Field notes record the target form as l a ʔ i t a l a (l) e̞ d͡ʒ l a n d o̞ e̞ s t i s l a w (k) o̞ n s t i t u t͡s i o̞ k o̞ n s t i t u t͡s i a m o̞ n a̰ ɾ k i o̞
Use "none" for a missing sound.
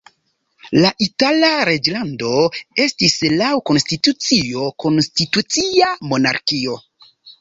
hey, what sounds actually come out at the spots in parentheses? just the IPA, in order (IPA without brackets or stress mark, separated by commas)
ɾ, k